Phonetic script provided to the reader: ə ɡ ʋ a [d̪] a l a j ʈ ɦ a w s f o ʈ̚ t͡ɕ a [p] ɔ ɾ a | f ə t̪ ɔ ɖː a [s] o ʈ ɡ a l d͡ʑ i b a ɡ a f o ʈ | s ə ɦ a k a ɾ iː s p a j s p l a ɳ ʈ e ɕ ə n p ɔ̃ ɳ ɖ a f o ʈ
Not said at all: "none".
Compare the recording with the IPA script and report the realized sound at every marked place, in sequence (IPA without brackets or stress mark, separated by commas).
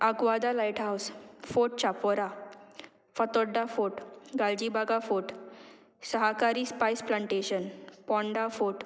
d̪, p, f